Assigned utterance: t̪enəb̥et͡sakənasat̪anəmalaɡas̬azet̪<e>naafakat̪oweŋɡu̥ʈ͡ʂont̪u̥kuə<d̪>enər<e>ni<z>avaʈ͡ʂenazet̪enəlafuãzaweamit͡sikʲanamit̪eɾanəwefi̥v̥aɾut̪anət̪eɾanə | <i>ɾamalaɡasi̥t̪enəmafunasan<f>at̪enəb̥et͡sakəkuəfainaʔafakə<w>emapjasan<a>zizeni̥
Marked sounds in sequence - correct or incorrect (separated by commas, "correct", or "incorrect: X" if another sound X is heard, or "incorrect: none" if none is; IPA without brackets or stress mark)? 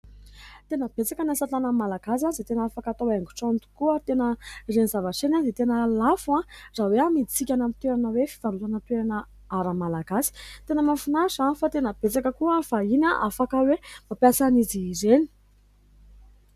correct, incorrect: t̪, correct, correct, incorrect: a, correct, correct, incorrect: i